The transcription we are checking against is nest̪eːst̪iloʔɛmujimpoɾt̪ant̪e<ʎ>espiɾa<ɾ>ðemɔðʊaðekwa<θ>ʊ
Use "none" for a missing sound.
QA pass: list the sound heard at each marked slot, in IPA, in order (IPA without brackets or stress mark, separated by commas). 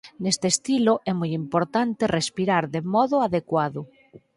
r, ɾ, ð